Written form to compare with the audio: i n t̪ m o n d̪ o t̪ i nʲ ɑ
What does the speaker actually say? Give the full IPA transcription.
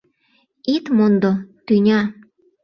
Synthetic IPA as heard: i t̪ m o n d̪ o t̪ y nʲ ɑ